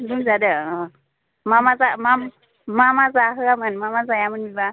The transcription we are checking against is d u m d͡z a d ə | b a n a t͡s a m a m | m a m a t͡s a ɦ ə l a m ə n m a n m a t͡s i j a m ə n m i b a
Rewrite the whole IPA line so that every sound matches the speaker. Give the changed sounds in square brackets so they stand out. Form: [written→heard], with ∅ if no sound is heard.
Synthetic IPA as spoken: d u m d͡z a d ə | [b→m] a [n→m] a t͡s a m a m | m a m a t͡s a ɦ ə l a m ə n m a [n→∅] m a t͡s [i→a] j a m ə n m i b a